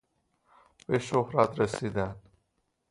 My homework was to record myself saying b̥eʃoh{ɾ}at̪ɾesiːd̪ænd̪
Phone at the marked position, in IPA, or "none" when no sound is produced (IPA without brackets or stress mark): ɾ